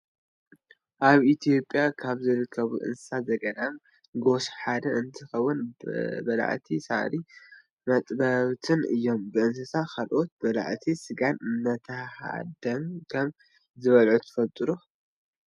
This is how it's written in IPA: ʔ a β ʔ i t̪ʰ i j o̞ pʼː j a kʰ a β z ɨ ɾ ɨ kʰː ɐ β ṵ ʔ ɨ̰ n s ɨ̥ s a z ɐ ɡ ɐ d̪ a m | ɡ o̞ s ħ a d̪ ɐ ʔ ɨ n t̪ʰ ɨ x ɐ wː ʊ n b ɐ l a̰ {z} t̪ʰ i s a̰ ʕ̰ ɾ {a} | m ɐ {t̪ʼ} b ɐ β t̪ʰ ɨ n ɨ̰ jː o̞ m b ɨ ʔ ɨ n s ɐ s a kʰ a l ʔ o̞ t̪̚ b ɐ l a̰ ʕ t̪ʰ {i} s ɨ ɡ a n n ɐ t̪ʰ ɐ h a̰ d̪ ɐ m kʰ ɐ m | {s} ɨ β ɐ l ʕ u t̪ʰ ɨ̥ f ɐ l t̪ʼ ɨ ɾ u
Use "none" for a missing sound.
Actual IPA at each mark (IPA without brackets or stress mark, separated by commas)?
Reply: ʕ, i, t̪ʼ, i, z